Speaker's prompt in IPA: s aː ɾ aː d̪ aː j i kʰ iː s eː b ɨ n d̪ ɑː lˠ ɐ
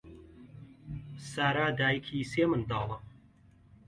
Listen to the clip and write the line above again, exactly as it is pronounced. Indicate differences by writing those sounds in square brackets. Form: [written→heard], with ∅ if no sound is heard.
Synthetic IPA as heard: s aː ɾ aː d̪ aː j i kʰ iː s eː [b→m] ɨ n d̪ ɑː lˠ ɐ